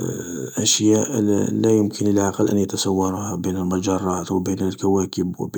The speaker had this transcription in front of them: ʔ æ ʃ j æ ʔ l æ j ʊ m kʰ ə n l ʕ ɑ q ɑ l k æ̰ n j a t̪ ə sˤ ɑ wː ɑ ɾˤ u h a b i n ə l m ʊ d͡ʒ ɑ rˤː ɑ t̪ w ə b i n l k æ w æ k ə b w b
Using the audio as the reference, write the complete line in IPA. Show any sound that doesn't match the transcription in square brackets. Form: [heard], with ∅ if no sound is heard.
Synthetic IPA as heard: ʔ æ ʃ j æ ʔ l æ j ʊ m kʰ ə n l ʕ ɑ q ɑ l [ʔ] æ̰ n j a t̪ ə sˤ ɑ wː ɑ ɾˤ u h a b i n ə l m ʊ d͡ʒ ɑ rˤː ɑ t̪ w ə b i n l k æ w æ k ə b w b